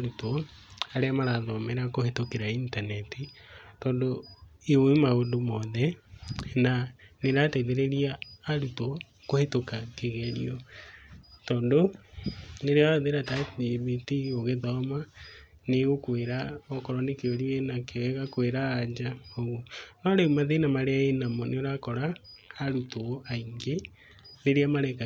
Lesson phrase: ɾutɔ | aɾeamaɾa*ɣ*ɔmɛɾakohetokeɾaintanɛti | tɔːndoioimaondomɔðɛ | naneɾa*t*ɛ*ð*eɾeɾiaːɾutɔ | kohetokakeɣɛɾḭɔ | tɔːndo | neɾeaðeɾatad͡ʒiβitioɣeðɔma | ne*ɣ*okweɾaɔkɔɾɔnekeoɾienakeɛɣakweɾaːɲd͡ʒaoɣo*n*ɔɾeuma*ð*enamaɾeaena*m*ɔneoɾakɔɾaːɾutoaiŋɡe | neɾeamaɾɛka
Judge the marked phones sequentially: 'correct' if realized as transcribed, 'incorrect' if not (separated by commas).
incorrect, correct, correct, correct, correct, correct, correct